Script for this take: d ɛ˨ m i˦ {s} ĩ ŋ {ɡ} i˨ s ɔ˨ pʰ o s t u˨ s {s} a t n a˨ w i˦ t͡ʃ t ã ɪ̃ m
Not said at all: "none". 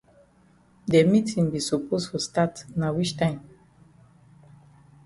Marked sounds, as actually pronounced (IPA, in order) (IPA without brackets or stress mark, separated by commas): t, b, t